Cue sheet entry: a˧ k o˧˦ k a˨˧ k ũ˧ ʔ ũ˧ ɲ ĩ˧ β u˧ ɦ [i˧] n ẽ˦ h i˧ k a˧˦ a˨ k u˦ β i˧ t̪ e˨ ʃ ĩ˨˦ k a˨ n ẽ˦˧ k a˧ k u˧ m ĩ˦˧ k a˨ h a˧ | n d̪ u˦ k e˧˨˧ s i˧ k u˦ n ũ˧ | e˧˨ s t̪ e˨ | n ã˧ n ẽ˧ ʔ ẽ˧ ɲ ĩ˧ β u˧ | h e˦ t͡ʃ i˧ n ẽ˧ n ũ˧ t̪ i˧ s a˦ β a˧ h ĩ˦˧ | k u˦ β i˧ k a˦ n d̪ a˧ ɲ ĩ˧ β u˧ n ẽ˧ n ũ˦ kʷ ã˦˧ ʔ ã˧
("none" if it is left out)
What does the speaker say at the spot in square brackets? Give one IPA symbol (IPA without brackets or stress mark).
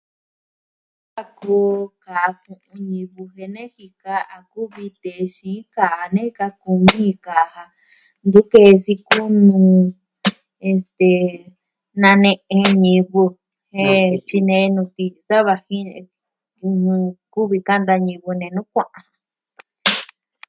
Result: e˧